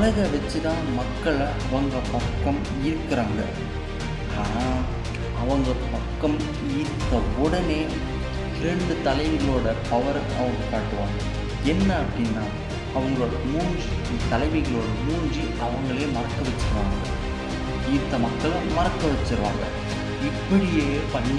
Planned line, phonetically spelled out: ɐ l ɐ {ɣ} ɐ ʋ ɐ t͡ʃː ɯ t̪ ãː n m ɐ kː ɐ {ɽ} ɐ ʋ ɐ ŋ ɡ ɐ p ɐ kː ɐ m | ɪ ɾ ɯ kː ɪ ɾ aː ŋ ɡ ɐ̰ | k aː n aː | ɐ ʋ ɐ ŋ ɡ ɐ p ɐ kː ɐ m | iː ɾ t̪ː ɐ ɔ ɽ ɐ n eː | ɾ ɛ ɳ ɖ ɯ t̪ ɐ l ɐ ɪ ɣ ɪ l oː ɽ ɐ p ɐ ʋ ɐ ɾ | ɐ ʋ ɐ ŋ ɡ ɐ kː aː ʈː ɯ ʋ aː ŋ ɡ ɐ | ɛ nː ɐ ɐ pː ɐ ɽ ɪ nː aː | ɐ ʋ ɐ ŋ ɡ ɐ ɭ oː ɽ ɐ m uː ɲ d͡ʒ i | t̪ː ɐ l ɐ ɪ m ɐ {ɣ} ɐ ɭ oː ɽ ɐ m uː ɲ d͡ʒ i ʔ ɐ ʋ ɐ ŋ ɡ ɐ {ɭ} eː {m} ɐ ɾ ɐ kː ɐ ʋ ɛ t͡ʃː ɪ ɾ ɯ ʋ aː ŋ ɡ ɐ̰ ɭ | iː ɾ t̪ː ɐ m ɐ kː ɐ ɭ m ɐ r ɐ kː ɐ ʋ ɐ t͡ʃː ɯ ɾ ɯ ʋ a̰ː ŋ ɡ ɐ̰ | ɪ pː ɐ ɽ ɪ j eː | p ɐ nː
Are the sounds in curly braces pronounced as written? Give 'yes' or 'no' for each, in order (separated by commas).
yes, no, yes, yes, yes